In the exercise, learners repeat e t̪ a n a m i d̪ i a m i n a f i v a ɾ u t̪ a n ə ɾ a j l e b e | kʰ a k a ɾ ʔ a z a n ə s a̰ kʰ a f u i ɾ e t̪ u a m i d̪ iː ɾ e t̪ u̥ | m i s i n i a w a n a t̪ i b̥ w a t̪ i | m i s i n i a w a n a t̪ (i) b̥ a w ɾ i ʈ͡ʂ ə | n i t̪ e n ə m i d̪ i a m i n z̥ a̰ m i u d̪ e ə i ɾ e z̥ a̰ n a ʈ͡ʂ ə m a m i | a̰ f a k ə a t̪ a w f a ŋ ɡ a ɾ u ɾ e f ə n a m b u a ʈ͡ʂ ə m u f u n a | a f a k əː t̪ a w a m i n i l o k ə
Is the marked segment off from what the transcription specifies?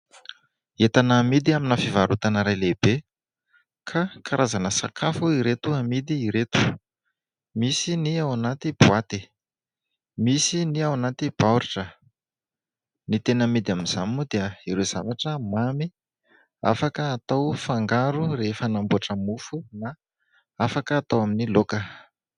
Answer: no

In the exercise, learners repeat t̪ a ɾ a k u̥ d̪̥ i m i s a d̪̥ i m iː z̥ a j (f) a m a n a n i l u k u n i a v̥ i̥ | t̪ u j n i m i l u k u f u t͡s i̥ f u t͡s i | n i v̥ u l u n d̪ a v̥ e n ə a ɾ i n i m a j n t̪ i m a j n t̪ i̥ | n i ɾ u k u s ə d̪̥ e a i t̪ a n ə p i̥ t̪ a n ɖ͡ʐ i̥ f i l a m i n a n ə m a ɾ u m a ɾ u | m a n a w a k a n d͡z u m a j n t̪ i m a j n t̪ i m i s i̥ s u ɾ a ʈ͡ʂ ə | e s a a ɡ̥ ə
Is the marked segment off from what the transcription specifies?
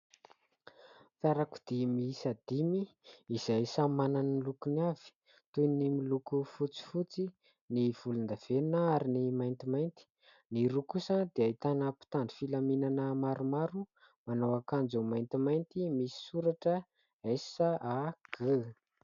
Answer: yes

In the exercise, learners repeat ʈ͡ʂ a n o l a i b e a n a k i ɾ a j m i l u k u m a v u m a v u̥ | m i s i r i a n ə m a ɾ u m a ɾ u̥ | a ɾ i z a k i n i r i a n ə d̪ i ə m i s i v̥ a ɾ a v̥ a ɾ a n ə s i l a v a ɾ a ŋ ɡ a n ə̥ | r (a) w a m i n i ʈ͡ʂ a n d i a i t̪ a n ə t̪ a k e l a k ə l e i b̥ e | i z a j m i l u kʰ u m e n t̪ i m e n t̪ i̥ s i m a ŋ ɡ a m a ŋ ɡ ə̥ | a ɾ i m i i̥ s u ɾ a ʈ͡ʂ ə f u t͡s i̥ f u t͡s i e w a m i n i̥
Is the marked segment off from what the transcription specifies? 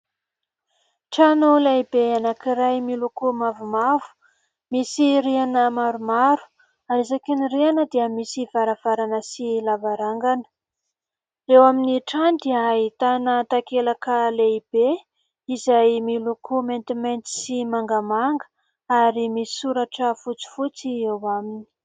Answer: yes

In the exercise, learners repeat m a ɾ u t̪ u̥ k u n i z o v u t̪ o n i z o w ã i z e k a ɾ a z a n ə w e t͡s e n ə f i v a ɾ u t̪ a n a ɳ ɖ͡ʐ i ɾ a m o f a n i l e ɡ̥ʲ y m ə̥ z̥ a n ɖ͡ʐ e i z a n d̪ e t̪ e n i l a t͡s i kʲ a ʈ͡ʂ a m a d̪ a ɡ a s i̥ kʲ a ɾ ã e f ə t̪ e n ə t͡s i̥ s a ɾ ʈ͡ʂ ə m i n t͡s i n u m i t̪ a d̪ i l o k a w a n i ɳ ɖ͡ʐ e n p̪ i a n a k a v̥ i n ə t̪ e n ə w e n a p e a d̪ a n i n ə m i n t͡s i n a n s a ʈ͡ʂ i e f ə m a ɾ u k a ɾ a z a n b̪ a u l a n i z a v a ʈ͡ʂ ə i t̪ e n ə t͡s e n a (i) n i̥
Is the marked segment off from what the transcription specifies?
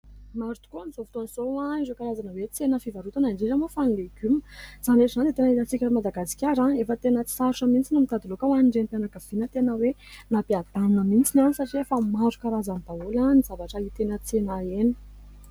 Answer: yes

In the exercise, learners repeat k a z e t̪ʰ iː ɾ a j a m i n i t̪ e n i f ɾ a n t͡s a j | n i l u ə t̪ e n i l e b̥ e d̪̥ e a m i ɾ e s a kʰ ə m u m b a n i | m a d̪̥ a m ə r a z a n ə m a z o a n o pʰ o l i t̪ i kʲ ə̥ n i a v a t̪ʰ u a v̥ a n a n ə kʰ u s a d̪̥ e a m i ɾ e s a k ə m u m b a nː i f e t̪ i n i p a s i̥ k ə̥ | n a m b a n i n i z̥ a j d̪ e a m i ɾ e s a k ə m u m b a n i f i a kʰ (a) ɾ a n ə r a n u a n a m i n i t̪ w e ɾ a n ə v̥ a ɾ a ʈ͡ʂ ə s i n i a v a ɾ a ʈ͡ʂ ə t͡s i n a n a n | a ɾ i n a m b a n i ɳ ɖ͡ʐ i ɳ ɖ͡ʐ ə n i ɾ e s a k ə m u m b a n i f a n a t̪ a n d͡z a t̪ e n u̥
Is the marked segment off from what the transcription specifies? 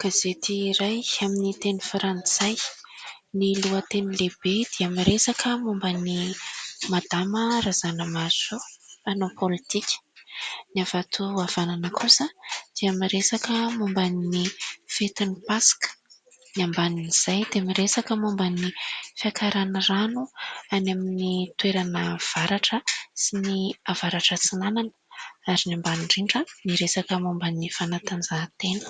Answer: no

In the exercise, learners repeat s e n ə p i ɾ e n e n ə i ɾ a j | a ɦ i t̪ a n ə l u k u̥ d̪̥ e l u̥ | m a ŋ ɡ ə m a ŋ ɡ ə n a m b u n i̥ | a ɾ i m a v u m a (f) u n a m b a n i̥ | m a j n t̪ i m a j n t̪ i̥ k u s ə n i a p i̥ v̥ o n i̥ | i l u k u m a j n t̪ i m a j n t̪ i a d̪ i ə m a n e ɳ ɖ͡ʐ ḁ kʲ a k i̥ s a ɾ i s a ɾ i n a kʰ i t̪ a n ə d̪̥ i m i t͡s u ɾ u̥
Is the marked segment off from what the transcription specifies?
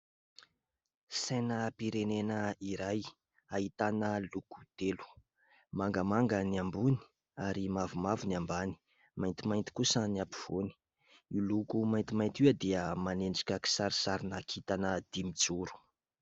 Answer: yes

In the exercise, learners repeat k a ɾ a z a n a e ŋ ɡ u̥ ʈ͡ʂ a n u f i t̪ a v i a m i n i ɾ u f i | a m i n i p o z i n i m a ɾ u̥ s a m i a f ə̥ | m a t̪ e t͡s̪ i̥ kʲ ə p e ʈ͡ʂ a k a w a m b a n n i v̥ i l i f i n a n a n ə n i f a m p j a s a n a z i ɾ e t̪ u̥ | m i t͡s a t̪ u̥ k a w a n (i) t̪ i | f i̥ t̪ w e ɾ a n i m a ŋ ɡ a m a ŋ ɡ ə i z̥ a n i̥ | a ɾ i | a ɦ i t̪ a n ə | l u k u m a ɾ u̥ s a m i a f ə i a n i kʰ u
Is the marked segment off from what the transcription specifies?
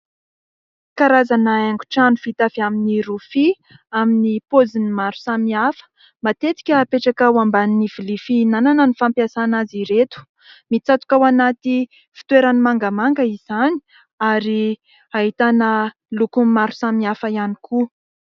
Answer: yes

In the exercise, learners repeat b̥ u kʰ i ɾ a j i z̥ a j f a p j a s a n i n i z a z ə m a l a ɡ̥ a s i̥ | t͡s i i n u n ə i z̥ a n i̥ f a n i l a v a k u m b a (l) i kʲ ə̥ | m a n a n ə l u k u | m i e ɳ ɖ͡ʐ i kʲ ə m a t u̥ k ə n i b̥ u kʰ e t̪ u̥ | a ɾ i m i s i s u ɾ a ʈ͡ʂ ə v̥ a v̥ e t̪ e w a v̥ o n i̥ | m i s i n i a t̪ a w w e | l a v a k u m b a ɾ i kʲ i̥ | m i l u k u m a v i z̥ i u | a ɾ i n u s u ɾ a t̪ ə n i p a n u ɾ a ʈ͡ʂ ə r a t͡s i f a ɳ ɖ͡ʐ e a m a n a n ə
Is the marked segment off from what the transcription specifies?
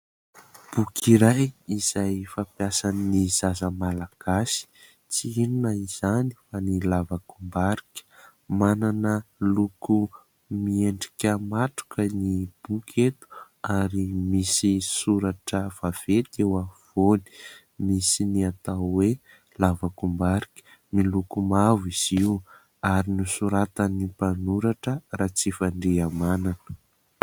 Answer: yes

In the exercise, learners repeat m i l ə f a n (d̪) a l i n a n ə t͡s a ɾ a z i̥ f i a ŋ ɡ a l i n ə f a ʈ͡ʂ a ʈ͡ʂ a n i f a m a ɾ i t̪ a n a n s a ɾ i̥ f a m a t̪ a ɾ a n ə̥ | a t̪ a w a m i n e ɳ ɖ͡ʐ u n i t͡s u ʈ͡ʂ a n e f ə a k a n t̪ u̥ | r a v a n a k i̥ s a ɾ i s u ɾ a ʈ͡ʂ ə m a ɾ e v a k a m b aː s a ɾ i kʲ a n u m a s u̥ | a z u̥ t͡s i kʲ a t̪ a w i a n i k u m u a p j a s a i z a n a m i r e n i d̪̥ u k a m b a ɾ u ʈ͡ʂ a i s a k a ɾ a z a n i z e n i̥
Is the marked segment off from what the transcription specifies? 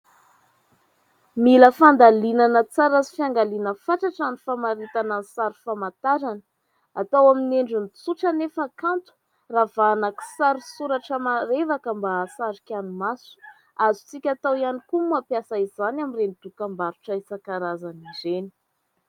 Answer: no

